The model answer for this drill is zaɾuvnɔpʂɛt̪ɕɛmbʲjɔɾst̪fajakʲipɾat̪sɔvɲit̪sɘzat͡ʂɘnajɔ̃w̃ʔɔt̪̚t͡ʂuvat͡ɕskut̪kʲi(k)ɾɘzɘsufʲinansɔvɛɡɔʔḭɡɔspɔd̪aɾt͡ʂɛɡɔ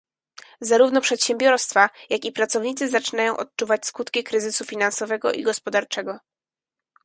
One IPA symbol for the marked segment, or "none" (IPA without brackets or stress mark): k